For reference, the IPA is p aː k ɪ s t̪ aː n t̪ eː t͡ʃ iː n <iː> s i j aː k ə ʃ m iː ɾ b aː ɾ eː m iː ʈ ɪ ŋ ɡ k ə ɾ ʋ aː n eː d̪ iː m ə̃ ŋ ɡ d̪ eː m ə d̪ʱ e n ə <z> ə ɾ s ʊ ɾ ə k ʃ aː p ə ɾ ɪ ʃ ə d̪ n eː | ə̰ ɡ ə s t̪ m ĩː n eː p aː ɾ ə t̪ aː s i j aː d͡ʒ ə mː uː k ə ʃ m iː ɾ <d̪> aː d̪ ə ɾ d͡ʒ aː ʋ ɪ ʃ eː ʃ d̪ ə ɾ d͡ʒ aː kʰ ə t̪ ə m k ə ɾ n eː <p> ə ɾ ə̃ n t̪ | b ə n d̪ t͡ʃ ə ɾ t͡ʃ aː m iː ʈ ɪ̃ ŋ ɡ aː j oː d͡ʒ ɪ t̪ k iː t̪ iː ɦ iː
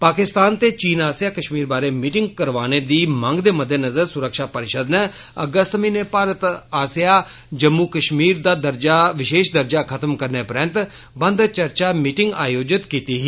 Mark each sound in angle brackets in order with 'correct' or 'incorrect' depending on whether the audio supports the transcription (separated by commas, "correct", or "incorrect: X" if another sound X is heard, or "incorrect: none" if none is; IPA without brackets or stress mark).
incorrect: aː, correct, correct, correct